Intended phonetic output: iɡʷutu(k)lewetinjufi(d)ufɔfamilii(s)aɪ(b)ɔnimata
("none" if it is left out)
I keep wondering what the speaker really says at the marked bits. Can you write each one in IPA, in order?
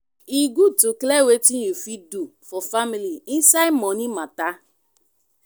k, d, s, m

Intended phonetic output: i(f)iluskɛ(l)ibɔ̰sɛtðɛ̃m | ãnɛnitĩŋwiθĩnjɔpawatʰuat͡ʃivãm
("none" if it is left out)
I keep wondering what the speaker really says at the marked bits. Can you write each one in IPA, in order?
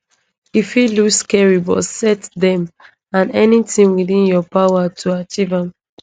f, ɹ

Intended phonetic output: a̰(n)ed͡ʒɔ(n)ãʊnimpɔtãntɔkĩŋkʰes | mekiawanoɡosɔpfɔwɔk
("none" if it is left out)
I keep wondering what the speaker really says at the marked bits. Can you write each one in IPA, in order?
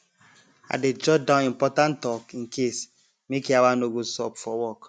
d, d

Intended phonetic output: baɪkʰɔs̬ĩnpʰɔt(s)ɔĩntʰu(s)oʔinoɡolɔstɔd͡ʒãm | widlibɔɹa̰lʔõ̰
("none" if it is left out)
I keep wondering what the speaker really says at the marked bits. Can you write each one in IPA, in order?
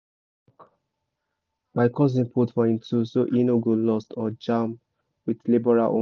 f, s

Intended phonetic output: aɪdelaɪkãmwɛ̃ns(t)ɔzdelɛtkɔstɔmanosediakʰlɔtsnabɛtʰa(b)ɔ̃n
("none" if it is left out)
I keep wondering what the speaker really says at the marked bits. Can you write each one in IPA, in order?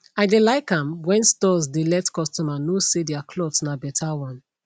t, w

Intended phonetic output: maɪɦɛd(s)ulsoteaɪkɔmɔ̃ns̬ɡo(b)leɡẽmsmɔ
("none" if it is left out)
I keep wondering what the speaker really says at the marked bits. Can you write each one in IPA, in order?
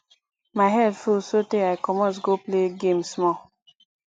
f, p

